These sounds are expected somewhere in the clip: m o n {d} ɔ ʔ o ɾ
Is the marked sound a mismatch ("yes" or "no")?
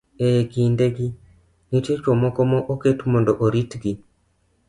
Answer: no